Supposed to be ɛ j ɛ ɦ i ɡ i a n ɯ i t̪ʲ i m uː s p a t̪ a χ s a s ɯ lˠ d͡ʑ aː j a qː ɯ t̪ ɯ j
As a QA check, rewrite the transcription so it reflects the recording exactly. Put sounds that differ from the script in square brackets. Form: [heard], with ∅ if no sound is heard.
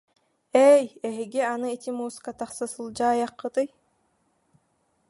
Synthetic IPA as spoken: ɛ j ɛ ɦ i ɡ i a n ɯ i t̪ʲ i m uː s [k] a t̪ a χ s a s ɯ lˠ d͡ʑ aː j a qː ɯ t̪ ɯ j